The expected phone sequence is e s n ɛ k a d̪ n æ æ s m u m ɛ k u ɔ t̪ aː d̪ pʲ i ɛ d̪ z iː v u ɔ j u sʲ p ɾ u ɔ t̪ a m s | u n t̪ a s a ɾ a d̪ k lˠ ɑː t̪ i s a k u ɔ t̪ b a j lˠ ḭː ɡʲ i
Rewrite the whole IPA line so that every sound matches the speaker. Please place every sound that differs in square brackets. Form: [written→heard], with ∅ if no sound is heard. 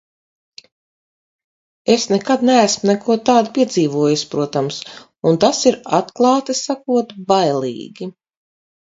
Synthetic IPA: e s n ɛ k a d̪ n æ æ s m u [m→n] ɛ k u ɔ t̪ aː d̪ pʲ i ɛ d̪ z iː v u ɔ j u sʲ p ɾ u ɔ t̪ a m s | u n t̪ a s [a→i] ɾ a [d̪→t̪] k lˠ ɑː t̪ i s a k u ɔ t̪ b a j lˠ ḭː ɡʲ i